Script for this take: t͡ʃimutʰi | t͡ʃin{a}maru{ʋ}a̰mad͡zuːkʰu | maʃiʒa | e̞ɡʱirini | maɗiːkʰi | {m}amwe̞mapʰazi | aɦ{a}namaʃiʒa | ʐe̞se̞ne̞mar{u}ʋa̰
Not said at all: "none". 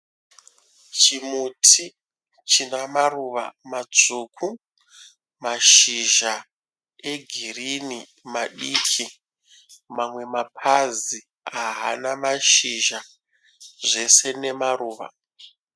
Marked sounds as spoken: a, ʋ, m, a, uː

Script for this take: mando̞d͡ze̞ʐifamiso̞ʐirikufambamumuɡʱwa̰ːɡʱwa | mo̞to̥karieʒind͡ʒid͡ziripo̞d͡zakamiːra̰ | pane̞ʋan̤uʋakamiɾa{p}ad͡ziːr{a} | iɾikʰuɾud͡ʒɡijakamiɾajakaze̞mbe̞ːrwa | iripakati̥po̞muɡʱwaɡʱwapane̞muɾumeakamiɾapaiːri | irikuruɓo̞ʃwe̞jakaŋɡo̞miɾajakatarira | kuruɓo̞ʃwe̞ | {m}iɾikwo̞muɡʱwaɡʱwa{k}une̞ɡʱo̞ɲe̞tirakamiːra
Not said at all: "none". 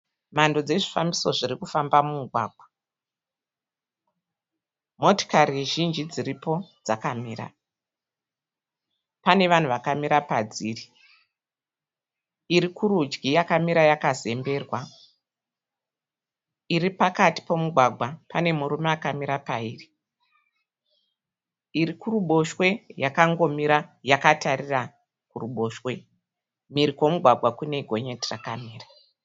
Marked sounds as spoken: p, i, m, k

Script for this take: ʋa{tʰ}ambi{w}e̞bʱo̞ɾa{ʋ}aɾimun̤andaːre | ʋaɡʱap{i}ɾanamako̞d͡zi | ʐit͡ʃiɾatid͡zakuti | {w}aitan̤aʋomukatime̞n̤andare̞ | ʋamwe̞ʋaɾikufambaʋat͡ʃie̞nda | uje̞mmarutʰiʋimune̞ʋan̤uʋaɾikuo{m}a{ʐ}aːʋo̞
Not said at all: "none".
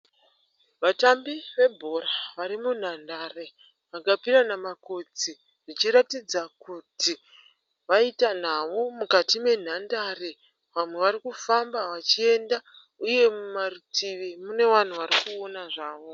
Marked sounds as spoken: t, ʋ, ʋ, i, ʋ, n, ʐ

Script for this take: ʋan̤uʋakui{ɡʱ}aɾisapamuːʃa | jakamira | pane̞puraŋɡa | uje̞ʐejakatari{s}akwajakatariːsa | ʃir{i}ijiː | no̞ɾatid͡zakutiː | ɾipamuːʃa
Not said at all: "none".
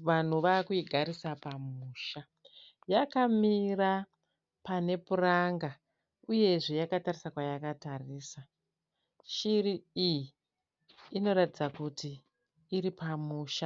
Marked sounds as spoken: ɡʱ, s, i

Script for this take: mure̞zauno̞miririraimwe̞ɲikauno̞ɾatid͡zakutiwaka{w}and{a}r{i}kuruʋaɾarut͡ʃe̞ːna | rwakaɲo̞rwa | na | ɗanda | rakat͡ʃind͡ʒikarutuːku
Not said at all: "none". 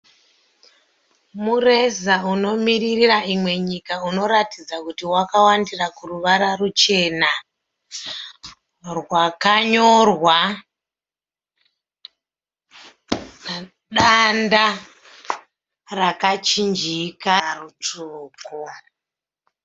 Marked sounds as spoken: w, i, a

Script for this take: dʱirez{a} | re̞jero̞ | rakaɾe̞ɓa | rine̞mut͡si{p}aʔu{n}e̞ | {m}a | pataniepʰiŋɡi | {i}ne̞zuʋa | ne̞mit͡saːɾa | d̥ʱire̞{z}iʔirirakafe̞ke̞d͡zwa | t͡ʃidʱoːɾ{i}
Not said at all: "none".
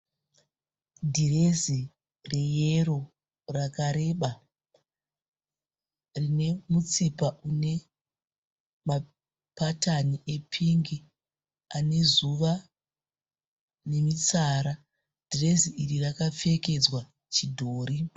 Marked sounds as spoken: i, p, n, m, a, z, i

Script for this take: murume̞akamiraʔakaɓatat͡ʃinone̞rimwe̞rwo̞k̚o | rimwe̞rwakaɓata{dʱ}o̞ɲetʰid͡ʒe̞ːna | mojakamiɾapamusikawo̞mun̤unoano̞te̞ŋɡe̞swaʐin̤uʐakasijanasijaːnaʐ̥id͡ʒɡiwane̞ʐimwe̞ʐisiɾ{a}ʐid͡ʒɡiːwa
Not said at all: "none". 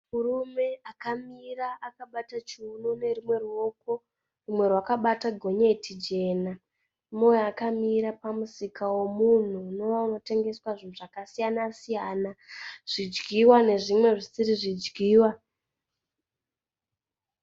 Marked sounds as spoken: ɡʱ, i

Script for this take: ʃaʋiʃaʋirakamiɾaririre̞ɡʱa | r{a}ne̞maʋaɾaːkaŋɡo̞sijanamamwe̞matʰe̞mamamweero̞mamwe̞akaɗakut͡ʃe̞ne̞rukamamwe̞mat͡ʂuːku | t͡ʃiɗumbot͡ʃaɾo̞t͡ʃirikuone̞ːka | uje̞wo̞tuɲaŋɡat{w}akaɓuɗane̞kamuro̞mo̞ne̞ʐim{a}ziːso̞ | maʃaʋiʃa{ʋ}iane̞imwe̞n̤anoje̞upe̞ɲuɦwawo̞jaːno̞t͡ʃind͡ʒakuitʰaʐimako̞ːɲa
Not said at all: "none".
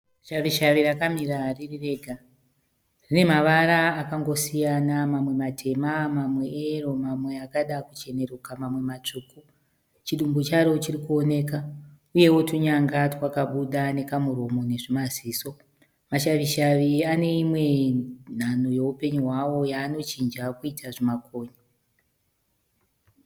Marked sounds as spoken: i, w, a, ʋ

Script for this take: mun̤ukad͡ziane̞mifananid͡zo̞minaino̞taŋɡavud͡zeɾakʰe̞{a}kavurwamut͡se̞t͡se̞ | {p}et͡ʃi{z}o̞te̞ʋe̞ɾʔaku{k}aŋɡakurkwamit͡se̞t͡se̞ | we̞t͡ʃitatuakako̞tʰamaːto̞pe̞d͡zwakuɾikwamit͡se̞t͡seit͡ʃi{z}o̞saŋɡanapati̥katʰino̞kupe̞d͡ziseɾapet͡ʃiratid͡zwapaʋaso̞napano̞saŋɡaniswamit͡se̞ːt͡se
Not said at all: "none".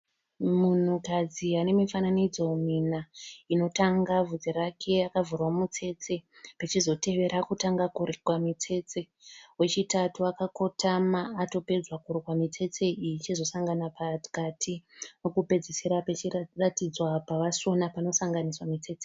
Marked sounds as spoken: a, p, z, t, z

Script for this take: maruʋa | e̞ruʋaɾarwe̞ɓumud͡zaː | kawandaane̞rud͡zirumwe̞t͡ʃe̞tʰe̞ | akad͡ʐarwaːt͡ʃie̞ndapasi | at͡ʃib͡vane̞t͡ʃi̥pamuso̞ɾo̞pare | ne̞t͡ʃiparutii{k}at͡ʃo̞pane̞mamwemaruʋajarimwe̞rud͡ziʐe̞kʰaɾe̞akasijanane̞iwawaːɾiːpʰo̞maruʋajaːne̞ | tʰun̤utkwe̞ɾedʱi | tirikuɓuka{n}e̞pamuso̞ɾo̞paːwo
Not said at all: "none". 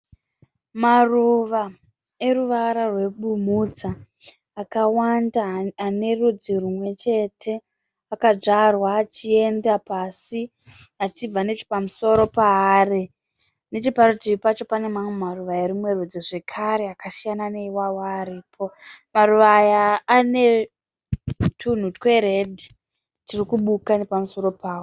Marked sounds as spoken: p, n

